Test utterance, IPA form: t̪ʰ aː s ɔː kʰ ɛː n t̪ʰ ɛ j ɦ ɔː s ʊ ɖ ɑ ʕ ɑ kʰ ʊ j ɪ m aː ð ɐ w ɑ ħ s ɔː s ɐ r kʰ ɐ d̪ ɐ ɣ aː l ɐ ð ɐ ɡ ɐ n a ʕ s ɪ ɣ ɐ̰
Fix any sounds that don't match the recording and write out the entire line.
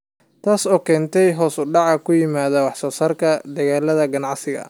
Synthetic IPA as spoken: t̪ʰ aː s ɔː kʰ ɛː n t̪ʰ ɛ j ɦ ɔː s ʊ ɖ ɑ ʕ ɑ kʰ ʊ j ɪ m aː ð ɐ w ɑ ħ s ɔː s ɐ r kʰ ɐ d̪ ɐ ɣ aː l ɐ ð ɐ ɡ ɐ n ɑ ʕ s ɪ ɣ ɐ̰